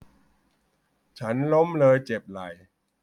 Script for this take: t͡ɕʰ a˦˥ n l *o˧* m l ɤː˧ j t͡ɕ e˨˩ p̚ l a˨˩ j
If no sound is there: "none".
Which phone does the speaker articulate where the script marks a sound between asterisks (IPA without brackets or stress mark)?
o˦˥